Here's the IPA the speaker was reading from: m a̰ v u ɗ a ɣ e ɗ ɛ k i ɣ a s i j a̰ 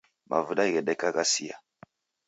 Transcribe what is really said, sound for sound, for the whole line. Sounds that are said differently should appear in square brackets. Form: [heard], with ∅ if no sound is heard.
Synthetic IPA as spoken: m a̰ v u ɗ a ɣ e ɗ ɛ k [a] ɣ a s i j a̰